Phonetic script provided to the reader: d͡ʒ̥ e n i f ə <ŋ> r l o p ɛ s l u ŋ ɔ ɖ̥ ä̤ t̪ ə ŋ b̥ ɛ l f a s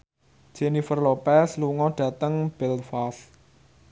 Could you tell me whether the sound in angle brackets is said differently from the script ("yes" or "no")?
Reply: yes